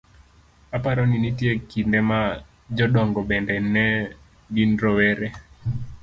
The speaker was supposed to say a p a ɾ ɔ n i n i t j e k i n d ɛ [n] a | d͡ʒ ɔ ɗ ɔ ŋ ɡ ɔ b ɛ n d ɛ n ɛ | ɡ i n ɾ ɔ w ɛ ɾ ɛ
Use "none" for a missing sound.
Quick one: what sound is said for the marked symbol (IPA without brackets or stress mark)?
m